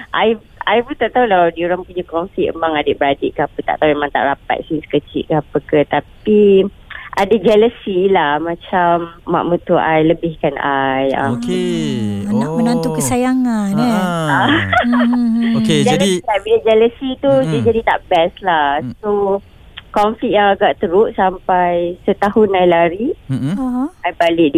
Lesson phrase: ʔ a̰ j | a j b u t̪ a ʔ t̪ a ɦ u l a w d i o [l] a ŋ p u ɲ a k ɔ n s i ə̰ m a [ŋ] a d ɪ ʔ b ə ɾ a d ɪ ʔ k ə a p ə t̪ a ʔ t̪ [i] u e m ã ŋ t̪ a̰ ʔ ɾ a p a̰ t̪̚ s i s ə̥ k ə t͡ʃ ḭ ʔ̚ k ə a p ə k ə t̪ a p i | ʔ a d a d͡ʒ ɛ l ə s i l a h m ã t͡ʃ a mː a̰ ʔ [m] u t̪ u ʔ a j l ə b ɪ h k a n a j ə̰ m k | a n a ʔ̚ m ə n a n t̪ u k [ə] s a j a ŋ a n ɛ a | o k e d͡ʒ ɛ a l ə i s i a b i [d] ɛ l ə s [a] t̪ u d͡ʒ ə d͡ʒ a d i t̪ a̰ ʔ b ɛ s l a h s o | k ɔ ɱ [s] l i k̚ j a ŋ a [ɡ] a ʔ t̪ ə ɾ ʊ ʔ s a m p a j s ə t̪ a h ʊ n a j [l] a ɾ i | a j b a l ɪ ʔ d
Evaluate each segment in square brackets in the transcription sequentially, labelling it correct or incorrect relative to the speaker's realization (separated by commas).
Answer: incorrect, correct, incorrect, correct, correct, incorrect, incorrect, incorrect, correct, correct